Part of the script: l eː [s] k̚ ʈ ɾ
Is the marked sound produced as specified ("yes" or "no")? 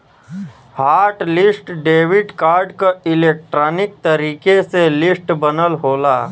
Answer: no